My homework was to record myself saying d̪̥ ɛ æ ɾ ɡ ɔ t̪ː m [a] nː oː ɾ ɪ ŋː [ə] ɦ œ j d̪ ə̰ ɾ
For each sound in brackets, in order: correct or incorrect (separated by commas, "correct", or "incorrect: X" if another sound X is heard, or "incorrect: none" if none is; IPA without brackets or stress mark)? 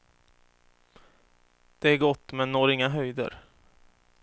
incorrect: ɛ, incorrect: a